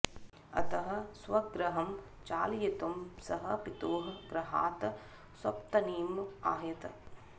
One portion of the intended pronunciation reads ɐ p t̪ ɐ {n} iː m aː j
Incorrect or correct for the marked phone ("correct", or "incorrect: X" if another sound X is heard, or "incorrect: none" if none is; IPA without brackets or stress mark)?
correct